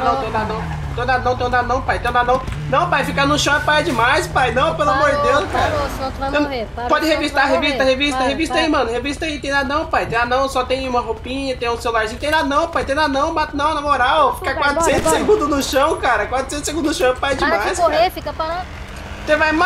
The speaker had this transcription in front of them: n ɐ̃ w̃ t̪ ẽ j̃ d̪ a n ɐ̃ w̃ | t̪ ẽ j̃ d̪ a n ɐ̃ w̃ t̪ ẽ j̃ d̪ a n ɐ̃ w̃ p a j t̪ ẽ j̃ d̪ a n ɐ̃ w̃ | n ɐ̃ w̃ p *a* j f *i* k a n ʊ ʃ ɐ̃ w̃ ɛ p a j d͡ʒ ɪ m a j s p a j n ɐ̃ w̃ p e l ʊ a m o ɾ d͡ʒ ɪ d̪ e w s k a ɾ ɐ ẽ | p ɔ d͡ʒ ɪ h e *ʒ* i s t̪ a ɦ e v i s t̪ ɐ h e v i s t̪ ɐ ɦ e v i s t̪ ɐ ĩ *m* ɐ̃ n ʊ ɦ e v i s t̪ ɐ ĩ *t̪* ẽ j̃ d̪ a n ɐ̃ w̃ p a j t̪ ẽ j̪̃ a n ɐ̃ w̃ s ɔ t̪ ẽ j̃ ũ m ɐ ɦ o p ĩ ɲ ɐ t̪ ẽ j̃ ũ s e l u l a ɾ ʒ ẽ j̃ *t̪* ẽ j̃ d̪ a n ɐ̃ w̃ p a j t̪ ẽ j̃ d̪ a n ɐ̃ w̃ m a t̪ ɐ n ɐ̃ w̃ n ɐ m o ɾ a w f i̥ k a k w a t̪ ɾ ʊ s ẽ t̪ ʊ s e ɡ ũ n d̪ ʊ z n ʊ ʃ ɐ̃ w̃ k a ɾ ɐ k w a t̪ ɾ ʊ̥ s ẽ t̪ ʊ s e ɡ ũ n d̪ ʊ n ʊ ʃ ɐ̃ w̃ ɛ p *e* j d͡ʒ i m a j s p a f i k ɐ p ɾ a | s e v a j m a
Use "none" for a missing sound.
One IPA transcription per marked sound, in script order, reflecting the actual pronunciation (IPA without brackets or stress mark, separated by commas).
a, i, v, m, t̪, t̪, a